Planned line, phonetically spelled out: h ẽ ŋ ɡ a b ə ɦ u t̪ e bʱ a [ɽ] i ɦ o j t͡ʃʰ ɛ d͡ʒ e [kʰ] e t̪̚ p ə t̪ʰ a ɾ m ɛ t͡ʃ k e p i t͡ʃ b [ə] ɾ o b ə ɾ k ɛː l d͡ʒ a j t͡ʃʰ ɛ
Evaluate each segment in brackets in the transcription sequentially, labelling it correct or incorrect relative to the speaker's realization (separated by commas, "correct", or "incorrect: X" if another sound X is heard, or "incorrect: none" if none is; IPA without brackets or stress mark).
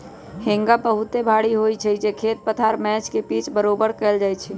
correct, correct, correct